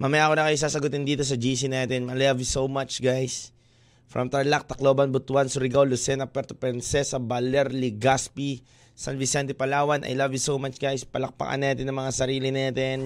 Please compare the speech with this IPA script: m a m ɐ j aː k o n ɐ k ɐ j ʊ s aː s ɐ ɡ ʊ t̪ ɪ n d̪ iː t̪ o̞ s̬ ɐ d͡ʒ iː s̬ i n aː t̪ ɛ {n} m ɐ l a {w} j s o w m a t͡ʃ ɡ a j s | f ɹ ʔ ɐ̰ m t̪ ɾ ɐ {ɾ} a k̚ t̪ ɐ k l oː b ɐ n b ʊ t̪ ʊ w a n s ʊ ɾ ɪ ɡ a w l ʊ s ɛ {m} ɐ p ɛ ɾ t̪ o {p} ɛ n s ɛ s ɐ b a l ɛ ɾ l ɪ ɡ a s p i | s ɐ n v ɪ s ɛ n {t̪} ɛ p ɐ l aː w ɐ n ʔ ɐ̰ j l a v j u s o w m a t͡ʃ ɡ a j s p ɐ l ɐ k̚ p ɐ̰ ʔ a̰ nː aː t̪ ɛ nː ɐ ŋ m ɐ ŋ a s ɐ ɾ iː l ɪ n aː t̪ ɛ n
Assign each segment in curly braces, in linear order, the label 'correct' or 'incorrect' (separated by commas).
correct, incorrect, incorrect, incorrect, correct, correct